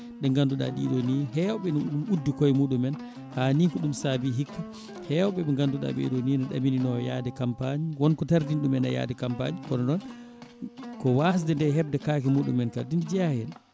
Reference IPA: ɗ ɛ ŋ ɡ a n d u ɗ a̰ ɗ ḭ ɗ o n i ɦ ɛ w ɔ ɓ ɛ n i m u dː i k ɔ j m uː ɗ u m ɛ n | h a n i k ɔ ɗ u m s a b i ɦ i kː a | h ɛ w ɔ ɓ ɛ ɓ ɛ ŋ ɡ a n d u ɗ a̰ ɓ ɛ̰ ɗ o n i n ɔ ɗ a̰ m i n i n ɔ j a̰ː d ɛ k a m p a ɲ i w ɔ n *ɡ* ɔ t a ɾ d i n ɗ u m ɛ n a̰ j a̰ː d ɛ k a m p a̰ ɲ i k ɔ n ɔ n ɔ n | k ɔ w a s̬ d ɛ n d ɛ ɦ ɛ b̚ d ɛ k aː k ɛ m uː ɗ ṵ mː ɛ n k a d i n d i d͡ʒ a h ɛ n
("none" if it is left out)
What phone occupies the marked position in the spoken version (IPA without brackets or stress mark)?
k